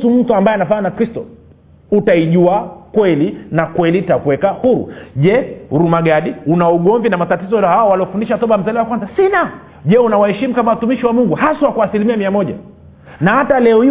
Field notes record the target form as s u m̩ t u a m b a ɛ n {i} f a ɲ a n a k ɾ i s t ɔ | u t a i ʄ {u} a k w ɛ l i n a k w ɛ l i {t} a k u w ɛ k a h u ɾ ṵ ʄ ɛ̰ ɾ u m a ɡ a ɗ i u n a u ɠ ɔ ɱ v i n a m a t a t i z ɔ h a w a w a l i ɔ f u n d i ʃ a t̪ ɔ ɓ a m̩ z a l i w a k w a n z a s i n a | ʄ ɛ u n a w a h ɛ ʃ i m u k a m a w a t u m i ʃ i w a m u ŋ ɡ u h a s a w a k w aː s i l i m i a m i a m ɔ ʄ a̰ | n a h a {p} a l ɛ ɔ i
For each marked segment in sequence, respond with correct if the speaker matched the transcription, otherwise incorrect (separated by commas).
incorrect, correct, correct, incorrect